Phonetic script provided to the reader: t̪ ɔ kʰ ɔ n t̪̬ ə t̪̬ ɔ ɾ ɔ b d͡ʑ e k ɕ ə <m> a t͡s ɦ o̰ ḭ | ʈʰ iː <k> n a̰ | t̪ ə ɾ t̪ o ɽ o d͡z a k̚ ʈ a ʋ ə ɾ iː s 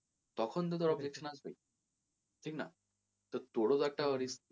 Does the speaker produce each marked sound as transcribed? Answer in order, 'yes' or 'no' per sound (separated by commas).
no, yes